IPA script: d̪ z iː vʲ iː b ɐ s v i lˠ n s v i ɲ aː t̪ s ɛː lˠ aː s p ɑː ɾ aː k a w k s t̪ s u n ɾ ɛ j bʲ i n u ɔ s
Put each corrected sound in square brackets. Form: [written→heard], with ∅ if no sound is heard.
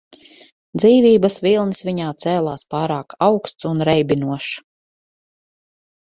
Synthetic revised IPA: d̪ z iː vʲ iː b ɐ s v i lˠ n s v i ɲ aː t̪ s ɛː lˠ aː s p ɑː ɾ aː k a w k s t̪ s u n ɾ ɛ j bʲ i n u ɔ [s→ʃ]

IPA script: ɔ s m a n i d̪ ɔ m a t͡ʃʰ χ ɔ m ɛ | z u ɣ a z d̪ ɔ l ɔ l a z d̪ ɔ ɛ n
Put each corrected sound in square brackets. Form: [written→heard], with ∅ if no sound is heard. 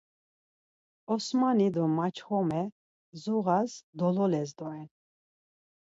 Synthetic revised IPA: ɔ s m a n i d̪ ɔ m a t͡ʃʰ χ ɔ m ɛ | z u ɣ a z d̪ ɔ l ɔ l [a→ɛ] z d̪ ɔ ɛ n

